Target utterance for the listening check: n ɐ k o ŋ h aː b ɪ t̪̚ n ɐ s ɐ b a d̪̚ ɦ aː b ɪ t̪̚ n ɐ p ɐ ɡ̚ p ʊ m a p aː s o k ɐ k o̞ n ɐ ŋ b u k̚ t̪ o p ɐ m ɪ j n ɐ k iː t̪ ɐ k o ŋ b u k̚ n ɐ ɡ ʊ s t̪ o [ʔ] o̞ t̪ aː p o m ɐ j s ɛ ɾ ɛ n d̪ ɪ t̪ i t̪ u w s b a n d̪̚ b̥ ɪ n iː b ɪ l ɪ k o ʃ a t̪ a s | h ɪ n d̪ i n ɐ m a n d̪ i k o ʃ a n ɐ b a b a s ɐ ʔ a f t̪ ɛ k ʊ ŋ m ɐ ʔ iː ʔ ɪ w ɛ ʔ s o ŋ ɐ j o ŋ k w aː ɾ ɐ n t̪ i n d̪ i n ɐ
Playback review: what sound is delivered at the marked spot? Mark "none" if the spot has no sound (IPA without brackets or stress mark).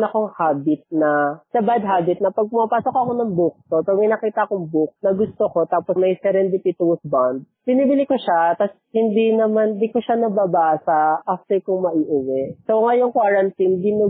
k